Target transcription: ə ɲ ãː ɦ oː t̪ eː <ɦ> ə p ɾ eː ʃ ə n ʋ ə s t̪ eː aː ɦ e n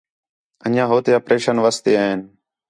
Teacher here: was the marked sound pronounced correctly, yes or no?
no